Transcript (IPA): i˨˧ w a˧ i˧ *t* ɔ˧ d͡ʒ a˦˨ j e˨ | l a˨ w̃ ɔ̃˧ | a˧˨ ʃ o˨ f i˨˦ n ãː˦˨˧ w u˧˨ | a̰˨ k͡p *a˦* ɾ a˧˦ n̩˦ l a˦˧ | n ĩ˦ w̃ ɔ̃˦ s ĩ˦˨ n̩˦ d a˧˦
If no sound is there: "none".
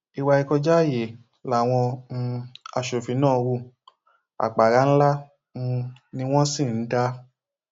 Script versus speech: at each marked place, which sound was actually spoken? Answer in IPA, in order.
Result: k, a˨

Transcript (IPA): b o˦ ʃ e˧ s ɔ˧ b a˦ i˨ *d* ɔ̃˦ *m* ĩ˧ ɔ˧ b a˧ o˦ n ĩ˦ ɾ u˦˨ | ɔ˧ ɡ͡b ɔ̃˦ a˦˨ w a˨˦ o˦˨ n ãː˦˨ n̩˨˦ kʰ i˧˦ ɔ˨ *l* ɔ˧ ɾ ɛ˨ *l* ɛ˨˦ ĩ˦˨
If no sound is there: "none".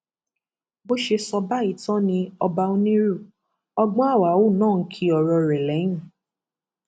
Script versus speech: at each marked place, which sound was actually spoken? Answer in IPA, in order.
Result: t, n, ɾ, l

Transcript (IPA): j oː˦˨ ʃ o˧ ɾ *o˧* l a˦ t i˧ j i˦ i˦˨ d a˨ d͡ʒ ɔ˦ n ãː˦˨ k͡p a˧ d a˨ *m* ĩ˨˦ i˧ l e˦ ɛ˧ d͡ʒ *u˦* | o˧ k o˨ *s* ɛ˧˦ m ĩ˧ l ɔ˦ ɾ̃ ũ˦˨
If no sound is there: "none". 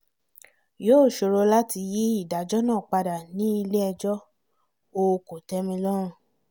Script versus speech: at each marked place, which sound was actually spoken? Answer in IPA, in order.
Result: o˧, n, ɔ˦, t

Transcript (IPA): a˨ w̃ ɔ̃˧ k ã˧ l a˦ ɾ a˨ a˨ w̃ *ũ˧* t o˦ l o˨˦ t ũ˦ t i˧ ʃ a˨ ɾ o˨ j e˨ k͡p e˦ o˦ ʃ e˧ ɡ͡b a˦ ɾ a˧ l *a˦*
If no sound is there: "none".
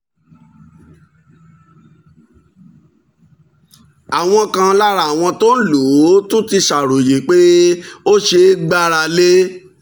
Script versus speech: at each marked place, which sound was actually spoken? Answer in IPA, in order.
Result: ɔ̃˧, e˦

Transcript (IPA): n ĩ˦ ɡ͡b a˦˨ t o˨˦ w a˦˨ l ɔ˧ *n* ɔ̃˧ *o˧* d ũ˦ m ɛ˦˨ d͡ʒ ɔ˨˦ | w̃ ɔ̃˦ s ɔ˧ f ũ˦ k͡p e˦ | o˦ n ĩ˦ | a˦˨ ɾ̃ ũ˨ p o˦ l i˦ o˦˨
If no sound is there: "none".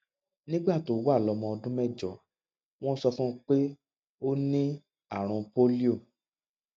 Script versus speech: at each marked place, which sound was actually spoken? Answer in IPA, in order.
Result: m, ɔ˧

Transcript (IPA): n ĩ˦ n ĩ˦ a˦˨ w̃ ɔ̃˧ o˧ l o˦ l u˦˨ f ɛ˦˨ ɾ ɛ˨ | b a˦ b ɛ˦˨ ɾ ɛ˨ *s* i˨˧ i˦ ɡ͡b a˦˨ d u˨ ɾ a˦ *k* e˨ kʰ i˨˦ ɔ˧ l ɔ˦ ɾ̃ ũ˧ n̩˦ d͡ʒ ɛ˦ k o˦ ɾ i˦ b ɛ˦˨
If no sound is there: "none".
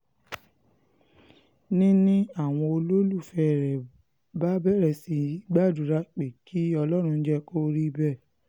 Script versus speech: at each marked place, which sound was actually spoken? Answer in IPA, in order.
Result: s, k͡p

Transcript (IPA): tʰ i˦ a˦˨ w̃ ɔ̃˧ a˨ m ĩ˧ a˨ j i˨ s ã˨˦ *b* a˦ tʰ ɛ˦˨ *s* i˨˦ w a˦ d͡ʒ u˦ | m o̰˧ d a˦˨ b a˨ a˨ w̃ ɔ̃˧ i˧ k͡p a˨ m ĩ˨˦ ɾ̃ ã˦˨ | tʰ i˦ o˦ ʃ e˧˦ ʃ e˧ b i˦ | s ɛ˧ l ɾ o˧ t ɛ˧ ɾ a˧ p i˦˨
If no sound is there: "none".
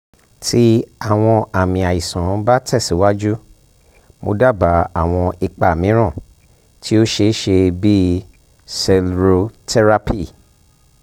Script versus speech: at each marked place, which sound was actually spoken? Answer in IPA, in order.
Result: b, s

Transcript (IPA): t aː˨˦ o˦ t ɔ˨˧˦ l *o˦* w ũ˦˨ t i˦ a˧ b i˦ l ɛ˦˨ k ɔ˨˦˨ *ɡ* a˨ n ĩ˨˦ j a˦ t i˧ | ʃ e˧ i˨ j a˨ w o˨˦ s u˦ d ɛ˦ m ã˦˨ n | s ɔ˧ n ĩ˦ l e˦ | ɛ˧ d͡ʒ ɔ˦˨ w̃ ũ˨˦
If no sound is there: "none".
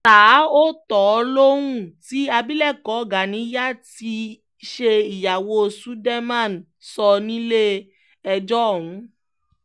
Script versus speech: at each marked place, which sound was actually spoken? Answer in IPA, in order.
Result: o˦, ɡ

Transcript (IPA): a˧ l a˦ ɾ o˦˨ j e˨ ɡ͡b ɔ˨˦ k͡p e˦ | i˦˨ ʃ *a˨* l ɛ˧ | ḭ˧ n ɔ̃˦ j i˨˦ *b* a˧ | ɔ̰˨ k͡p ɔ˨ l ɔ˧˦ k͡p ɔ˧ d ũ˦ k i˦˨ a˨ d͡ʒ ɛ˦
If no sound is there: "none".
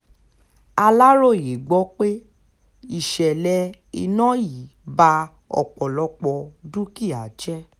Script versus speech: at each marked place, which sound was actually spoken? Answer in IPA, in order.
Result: ɛ˨, b

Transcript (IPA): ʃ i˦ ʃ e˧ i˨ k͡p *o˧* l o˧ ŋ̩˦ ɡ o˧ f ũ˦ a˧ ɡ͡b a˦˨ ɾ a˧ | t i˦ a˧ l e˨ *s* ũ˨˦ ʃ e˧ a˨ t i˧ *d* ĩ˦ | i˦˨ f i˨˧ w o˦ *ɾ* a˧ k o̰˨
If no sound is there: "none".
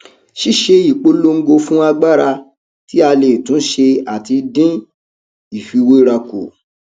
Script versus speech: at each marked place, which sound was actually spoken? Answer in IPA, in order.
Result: o˧, t, d, ɾ

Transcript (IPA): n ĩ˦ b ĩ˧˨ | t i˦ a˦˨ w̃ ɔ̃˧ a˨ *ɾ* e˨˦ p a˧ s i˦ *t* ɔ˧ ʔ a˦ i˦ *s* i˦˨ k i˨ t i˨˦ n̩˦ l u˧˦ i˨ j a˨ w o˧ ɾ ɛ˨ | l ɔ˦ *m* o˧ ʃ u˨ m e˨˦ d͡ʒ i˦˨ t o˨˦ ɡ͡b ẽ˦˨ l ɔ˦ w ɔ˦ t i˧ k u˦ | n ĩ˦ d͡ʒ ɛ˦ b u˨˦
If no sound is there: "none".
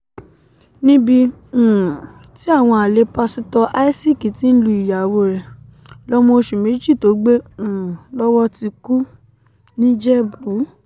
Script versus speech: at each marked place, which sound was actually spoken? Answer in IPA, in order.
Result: l, t, s, m

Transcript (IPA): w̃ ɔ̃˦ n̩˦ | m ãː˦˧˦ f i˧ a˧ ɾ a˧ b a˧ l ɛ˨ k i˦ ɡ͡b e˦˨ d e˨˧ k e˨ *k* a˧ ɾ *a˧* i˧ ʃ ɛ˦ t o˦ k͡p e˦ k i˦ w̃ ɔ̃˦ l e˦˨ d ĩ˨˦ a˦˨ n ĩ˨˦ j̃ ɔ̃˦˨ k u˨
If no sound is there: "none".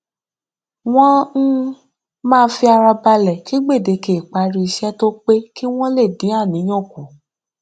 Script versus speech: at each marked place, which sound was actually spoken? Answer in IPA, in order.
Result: k͡p, i˧

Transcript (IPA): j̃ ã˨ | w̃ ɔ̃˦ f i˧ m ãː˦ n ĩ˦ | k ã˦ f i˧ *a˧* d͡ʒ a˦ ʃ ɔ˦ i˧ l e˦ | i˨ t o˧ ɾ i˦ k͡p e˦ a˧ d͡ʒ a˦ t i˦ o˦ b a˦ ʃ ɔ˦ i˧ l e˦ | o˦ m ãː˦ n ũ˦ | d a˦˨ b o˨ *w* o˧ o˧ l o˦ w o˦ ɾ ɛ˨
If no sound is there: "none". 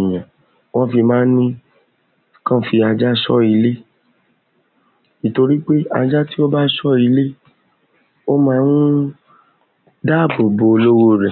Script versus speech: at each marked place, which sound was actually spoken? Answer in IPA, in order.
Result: a˧, b

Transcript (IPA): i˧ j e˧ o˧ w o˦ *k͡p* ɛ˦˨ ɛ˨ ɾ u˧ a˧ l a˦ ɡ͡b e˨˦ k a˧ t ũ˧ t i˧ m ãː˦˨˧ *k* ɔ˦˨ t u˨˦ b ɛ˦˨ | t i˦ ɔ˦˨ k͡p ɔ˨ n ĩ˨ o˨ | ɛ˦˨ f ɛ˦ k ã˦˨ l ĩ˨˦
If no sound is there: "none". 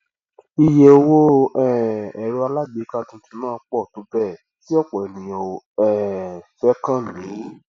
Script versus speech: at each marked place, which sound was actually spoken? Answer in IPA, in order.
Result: none, k͡p

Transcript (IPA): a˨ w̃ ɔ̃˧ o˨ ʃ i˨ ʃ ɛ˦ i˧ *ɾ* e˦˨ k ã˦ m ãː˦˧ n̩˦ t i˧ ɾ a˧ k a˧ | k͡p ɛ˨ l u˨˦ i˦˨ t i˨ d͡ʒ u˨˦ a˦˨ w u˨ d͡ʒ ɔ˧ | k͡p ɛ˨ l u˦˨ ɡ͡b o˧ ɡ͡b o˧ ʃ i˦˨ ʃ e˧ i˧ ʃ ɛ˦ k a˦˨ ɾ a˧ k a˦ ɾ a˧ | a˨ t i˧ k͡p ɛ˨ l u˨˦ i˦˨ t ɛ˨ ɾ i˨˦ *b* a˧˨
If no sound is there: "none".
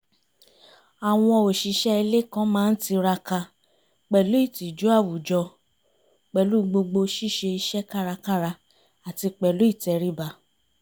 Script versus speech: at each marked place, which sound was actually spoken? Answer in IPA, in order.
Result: l, b

